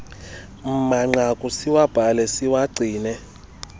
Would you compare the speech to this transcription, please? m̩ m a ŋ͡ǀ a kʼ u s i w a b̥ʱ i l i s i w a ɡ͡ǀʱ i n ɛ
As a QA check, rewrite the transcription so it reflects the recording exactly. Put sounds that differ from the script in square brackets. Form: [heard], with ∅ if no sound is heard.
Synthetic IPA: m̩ m a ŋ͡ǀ a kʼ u s i w a b̥ʱ [a] l [ɛ] s i w a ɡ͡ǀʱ [iː] n ɛ